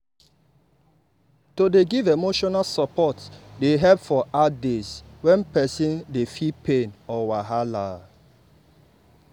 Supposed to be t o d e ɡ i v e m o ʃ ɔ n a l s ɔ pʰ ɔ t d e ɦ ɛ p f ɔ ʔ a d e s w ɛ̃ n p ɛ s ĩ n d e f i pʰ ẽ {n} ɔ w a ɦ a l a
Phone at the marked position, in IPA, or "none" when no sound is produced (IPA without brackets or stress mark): n